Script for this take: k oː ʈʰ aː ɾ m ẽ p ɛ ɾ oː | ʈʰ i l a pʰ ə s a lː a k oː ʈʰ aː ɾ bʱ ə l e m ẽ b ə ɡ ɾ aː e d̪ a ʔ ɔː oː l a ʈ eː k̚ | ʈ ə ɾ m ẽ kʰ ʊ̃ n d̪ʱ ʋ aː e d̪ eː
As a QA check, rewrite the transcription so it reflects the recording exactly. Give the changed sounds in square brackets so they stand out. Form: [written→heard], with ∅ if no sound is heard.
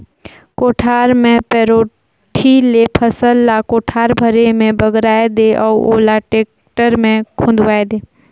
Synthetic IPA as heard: k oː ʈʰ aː ɾ m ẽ p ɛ ɾ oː | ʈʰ i l [a→e] pʰ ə s [a→ə] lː a k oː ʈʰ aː ɾ bʱ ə [l→ɾ] e m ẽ b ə ɡ ɾ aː e d̪ [a→e] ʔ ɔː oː l a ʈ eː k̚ | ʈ ə ɾ m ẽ kʰ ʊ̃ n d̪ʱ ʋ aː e d̪ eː